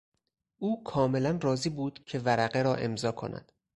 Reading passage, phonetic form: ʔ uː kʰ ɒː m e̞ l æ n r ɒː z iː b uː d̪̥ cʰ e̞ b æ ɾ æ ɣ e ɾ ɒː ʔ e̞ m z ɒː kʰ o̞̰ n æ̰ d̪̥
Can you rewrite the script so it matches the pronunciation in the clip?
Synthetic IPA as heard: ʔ uː kʰ ɒː m e̞ l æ n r ɒː z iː b uː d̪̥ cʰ e̞ v æ ɾ æ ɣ e ɾ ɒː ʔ e̞ m z ɒː kʰ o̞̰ n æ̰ d̪̥